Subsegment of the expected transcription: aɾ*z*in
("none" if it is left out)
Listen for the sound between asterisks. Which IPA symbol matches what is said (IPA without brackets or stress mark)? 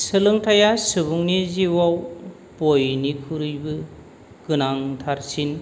s